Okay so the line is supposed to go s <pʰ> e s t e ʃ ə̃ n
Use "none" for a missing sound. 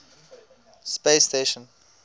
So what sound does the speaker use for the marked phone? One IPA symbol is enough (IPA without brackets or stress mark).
p